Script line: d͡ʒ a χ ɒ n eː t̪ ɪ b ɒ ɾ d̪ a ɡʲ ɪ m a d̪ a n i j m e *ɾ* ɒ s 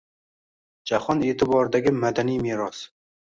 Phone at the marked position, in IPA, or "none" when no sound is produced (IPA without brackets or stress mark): ɾ